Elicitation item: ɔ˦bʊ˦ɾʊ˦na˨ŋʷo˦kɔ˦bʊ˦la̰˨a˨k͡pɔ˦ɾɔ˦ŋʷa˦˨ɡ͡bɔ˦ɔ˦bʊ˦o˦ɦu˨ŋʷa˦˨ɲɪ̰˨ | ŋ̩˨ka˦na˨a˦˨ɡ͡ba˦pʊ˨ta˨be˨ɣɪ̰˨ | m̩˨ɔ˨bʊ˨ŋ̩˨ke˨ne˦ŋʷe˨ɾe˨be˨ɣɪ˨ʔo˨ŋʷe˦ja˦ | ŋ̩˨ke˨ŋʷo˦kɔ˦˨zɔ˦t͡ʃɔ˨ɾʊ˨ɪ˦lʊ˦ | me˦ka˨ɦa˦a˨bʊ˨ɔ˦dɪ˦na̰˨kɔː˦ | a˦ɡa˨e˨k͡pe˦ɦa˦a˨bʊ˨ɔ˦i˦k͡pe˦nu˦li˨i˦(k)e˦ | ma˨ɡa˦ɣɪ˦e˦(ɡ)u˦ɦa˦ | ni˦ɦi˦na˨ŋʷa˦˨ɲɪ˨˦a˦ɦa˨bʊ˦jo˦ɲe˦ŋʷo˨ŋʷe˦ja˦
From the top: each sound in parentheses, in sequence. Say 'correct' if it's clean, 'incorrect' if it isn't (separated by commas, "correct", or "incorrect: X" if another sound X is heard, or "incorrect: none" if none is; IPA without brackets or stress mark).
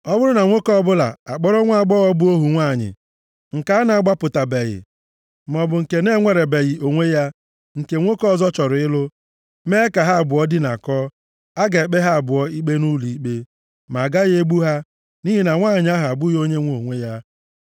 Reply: incorrect: k͡p, incorrect: ɡ͡b